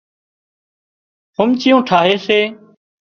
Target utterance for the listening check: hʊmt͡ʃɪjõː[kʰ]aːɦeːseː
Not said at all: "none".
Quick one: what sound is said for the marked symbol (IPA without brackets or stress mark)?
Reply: ʈʰ